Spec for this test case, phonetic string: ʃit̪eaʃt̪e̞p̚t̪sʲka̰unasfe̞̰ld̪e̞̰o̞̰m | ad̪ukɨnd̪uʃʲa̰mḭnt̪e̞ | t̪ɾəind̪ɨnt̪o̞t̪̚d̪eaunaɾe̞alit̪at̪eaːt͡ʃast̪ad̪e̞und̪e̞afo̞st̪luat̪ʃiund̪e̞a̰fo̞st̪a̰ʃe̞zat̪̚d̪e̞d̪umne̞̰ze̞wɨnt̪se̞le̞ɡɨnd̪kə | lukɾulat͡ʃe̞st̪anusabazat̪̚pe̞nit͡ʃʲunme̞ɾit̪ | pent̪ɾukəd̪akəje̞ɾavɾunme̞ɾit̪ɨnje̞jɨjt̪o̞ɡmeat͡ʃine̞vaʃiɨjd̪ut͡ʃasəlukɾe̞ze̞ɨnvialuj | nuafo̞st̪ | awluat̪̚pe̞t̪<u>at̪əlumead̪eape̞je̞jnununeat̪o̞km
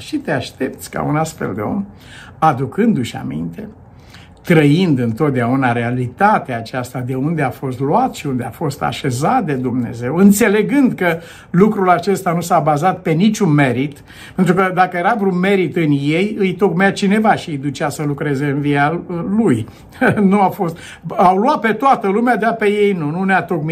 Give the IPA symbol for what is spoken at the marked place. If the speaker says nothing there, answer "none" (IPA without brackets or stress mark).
o